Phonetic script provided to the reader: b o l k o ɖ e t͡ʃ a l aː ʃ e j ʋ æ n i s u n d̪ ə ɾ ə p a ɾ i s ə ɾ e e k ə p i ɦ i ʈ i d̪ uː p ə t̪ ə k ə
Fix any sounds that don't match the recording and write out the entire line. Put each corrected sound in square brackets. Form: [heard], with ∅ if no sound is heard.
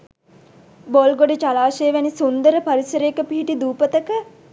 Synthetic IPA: b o l [ɡ] o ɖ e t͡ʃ a l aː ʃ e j ʋ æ n i s u n d̪ ə ɾ ə p a ɾ i s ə ɾ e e k ə p i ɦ i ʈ i d̪ uː p ə t̪ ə k ə